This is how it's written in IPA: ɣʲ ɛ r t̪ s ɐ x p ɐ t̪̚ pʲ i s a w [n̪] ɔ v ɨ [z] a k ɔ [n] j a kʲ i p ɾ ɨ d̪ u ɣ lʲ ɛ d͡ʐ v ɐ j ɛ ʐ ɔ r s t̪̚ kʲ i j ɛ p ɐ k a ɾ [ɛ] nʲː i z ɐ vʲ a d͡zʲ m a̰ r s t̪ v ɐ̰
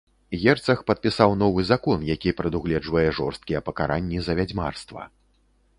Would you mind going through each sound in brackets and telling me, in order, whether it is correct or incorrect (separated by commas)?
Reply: correct, correct, correct, incorrect